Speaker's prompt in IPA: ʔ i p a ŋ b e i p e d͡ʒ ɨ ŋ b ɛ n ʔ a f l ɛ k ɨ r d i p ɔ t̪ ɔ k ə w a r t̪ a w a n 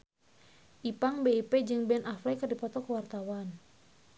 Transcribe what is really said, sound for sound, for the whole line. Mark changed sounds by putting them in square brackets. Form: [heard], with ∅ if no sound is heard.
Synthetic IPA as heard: ʔ i p a ŋ b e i p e d͡ʒ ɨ ŋ b ɛ n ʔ a f l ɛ k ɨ r d i p ɔ t̪ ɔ k ə w a r t̪ a w a n

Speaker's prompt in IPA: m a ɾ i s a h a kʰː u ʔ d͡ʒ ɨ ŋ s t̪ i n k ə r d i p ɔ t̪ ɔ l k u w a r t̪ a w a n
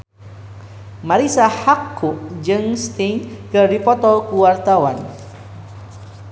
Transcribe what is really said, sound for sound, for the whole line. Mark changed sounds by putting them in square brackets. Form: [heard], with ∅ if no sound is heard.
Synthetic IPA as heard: m a ɾ i s a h a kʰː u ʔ d͡ʒ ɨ ŋ s t̪ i [ŋ] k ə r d i p ɔ t̪ ɔ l k u w a r t̪ a w a n

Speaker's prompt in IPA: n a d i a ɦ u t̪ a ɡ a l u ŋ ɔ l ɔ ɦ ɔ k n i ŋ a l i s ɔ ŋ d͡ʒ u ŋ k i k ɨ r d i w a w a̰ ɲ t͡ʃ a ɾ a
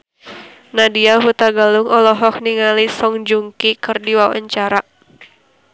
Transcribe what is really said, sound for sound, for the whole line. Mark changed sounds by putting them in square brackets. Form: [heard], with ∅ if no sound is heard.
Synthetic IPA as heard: n a d i a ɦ u t̪ a ɡ a l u ŋ ɔ l ɔ ɦ ɔ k n i ŋ a l i s ɔ ŋ d͡ʒ u ŋ k i k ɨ r d i w a w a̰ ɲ t͡ʃ a ɾ a

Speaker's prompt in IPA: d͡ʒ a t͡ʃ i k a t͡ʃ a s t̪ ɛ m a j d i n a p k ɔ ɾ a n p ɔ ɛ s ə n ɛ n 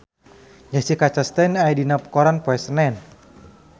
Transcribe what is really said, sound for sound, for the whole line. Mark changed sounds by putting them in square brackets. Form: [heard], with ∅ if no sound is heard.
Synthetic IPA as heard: d͡ʒ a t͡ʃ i k a t͡ʃ a s t̪ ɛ [n] a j d i n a p k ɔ ɾ a n p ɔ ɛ s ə n ɛ n

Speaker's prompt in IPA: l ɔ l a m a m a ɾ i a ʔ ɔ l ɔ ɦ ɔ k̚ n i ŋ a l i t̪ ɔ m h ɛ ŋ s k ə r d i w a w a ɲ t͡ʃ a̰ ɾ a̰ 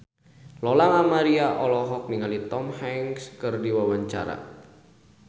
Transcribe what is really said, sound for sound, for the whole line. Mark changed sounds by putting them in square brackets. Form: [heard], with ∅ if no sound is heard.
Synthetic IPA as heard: l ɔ l a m a m a ɾ i a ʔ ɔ l ɔ ɦ ɔ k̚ n i ŋ a l i t̪ ɔ m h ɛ ŋ s k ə r d i w a w a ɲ t͡ʃ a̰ ɾ a̰

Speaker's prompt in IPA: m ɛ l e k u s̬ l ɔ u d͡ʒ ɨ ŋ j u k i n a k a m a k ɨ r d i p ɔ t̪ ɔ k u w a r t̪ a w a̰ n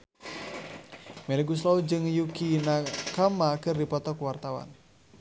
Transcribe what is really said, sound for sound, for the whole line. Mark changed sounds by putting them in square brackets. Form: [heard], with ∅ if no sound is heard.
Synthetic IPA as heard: m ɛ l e [ɡ] u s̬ l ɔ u d͡ʒ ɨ ŋ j u k i n a k a m a k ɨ r d i p ɔ t̪ ɔ k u w a r t̪ a w a̰ n

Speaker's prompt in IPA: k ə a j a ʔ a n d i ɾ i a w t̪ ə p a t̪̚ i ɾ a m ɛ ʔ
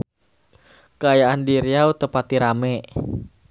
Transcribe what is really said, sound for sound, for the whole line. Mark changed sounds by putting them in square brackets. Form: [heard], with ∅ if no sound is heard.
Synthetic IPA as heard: k ə a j a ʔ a n d i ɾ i a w t̪ ə p a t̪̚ i ɾ a m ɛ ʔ

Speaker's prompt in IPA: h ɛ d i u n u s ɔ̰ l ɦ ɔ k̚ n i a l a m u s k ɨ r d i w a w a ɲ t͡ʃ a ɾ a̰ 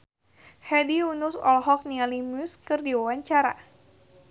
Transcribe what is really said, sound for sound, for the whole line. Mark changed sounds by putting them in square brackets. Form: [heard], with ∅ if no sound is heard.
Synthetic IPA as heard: h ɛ d i u n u s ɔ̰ l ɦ ɔ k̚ n i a l [i] m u s k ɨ r d i w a w a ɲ t͡ʃ a ɾ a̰

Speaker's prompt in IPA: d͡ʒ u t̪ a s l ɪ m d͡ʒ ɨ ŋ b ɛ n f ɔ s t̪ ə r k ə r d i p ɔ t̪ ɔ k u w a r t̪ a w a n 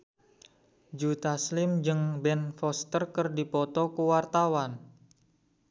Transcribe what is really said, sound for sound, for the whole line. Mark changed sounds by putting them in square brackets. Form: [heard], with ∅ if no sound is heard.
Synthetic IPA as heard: d͡ʒ u t̪ a s l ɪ m d͡ʒ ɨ ŋ b ɛ n f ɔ s t̪ ə r k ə r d i p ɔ t̪ ɔ k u w a r t̪ a w a n

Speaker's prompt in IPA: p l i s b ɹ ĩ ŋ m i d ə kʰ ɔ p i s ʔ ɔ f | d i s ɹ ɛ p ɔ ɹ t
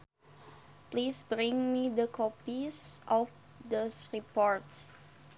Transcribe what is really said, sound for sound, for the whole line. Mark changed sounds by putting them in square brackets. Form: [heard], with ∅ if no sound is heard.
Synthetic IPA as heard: p l i s b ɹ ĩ ŋ m i d ə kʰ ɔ p i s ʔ ɔ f | d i s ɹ [i] p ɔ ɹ t

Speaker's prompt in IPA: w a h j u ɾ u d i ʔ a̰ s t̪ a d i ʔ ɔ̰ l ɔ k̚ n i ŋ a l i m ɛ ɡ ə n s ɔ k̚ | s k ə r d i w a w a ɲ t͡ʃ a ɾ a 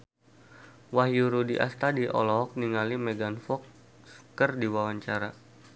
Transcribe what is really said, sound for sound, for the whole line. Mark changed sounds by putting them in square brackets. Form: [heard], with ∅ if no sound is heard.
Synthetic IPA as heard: w a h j u ɾ u d i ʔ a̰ s t̪ a d i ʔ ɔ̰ l ɔ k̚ n i ŋ a l i m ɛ ɡ [a] n [f] ɔ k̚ | s k ə r d i w a w a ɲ t͡ʃ a ɾ a

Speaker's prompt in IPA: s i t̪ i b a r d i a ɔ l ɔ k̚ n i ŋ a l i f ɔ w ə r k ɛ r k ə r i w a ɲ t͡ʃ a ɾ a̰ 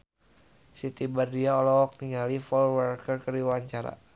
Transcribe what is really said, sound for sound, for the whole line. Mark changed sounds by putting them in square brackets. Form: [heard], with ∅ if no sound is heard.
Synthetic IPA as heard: s i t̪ i b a r d i a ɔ l ɔ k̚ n i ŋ a l i f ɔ w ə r k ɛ r k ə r i w a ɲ t͡ʃ a ɾ a̰

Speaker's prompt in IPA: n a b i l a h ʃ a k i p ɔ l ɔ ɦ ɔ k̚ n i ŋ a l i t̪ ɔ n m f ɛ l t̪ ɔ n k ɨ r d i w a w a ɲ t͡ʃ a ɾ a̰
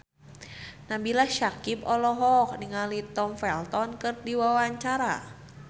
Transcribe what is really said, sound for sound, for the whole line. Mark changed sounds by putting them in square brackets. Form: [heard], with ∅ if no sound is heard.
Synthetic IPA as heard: n a b i l a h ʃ a k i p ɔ l ɔ ɦ ɔ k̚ n i ŋ a l i t̪ ɔ [∅] m f ɛ l t̪ ɔ n k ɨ r d i w a w a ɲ t͡ʃ a ɾ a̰

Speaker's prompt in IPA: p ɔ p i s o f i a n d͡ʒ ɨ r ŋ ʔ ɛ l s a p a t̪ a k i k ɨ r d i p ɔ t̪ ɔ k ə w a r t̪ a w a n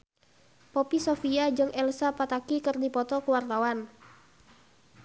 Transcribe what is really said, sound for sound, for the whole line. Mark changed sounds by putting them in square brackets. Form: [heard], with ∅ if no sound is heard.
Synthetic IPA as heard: p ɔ p i s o f i a [∅] d͡ʒ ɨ [∅] ŋ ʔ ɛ l s a p a t̪ a k i k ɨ r d i p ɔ t̪ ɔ k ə w a r t̪ a w a n

